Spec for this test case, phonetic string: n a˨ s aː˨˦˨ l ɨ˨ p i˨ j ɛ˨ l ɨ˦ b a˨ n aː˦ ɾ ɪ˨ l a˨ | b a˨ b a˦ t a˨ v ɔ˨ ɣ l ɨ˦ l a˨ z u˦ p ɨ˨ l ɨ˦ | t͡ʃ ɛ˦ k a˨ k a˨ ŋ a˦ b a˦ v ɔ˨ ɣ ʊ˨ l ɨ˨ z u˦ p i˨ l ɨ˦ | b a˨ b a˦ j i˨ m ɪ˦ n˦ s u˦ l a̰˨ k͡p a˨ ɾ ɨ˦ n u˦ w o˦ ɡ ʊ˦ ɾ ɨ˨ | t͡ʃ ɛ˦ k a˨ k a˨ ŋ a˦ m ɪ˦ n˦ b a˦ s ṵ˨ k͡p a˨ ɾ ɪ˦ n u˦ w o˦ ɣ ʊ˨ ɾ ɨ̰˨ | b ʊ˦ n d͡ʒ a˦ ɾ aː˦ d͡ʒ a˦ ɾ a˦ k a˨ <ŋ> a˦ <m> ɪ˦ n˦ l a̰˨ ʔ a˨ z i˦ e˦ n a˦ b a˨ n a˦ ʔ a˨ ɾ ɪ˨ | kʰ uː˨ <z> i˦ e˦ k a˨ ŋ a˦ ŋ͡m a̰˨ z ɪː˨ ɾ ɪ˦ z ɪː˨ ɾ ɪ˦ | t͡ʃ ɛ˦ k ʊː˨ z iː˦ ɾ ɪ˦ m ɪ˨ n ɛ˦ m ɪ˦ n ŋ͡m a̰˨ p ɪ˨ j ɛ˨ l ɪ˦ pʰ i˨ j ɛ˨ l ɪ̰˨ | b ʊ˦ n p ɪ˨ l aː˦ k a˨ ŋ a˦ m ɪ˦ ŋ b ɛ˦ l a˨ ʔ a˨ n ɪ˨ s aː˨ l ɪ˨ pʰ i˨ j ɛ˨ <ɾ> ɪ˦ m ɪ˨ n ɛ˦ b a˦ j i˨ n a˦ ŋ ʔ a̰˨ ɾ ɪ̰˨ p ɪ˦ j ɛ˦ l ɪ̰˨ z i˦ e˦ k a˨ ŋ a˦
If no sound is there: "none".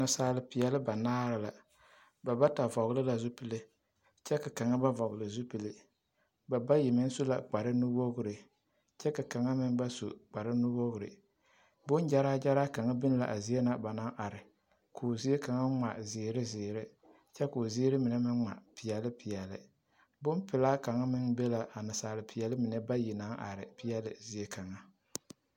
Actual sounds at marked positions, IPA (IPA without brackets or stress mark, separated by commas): ŋ, b, z, l